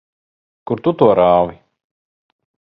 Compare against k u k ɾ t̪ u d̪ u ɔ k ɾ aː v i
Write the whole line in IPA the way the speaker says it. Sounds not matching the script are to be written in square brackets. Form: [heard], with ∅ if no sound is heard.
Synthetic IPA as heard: k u [∅] ɾ t̪ u [t̪] u ɔ [∅] ɾ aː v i